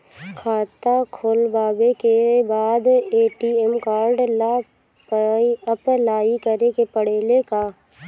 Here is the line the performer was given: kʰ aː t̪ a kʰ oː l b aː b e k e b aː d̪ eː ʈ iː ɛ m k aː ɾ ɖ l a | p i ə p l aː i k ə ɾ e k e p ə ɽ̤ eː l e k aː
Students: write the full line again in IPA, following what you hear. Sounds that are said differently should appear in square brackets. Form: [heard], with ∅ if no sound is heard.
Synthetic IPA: kʰ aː t̪ a kʰ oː l b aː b e k e b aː d̪ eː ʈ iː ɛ m k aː ɾ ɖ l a | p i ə p l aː i k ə ɾ e k e p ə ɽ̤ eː l e k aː